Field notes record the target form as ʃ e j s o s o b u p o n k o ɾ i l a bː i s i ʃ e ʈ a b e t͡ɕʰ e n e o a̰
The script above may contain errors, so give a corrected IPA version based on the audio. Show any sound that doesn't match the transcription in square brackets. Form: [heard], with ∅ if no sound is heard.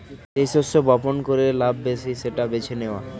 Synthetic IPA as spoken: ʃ e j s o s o b [ɔ] p o n k o ɾ [e] l a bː [e] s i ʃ e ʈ a b e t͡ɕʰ e n e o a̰